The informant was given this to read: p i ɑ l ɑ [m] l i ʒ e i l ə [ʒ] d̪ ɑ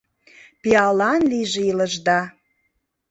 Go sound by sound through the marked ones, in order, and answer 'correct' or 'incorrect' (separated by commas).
incorrect, correct